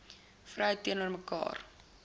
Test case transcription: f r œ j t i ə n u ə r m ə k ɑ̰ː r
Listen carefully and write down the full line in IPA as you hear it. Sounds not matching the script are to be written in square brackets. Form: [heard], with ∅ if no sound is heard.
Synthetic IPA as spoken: f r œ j t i ə n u ə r m ə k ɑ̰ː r